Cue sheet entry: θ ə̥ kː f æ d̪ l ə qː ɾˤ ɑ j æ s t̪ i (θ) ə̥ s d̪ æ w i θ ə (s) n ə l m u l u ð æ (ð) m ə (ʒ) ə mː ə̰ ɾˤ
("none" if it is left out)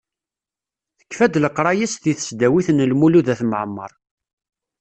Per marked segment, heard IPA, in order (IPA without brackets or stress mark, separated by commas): θ, none, θ, ʕ